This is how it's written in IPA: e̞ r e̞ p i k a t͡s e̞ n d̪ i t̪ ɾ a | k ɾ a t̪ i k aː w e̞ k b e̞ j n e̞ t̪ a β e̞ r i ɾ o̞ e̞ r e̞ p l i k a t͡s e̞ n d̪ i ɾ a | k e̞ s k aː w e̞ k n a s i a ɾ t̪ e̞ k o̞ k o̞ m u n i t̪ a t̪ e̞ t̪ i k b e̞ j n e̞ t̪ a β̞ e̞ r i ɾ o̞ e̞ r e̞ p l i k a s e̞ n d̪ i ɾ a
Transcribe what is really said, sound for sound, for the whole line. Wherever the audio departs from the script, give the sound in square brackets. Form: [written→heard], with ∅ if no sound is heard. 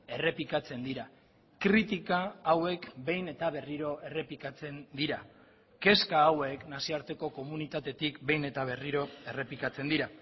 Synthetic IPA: e̞ r e̞ p i k a t͡s e̞ n d̪ i [t̪→∅] ɾ a | k ɾ [a→i] t̪ i k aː w e̞ k b e̞ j n e̞ t̪ a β e̞ r i ɾ o̞ e̞ r e̞ p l i k a t͡s e̞ n d̪ i ɾ a | k e̞ s k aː w e̞ k n a s i a ɾ t̪ e̞ k o̞ k o̞ m u n i t̪ a t̪ e̞ t̪ i k b e̞ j n e̞ t̪ a β̞ e̞ r i ɾ o̞ e̞ r e̞ p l i k a [s→t͡s] e̞ n d̪ i ɾ a